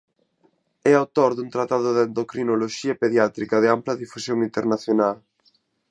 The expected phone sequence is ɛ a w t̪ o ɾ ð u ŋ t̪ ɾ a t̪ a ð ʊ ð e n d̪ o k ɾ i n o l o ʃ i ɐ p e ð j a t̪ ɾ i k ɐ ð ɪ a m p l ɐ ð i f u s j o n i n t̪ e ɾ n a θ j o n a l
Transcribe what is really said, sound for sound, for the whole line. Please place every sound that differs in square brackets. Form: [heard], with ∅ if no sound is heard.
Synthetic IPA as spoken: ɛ a w t̪ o ɾ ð u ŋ t̪ ɾ a t̪ a ð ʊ ð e n d̪ o k ɾ i n o l o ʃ i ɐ p e ð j a t̪ ɾ i k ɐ ð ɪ a m p l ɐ ð i f u s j o [ŋ] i n t̪ e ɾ n a θ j o n a l